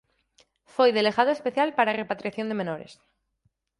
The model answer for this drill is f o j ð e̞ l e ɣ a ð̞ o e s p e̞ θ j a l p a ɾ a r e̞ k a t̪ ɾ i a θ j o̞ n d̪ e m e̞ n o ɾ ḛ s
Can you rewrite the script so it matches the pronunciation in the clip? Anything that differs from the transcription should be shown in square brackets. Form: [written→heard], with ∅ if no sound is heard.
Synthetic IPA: f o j ð e̞ l e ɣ a ð̞ o e s p e̞ θ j a l p a ɾ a r e̞ [k→p] a t̪ ɾ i a θ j o̞ n d̪ e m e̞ n o ɾ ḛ s